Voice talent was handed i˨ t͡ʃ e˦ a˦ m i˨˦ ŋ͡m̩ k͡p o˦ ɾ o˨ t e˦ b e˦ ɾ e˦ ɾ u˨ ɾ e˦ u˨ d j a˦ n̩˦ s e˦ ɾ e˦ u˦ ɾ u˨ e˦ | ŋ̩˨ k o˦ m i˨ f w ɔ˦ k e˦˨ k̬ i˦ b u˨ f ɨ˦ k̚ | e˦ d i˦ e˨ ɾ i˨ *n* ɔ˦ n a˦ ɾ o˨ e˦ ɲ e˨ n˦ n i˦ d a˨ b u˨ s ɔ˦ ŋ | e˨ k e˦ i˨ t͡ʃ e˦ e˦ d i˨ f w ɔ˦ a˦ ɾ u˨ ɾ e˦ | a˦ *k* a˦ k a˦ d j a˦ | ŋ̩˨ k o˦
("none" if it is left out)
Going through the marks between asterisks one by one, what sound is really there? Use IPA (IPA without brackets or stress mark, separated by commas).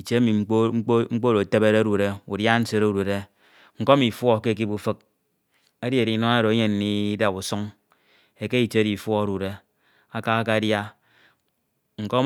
n, k